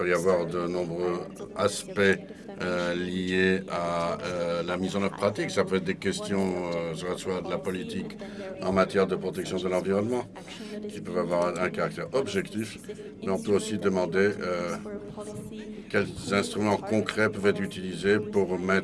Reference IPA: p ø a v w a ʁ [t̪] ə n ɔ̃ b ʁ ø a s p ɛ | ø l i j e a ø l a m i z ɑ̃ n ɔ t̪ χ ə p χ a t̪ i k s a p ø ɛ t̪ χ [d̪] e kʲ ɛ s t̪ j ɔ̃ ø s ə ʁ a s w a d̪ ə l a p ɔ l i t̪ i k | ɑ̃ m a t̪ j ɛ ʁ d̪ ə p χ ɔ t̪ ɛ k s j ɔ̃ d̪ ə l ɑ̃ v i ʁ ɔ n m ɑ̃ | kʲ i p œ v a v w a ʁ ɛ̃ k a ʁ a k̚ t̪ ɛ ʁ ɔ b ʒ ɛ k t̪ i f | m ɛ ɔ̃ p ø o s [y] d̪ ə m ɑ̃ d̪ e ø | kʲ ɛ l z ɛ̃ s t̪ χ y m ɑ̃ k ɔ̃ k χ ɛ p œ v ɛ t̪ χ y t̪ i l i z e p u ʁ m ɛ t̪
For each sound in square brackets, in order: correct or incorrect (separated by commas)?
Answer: incorrect, correct, incorrect